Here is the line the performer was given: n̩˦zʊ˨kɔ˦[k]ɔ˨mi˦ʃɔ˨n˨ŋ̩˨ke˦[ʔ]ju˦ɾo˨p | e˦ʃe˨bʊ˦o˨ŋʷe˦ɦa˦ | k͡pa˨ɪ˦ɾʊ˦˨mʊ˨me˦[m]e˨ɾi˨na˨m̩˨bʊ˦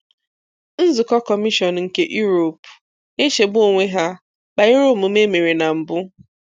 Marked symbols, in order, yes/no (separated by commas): yes, yes, yes